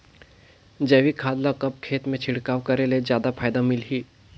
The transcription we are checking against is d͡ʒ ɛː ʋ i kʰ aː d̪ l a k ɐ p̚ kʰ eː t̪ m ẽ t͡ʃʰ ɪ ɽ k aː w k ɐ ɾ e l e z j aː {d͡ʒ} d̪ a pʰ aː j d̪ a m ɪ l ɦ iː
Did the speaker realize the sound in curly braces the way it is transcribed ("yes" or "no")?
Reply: no